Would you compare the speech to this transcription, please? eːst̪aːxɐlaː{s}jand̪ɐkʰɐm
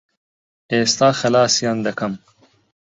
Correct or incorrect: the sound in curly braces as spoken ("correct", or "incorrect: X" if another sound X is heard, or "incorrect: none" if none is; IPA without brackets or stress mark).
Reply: correct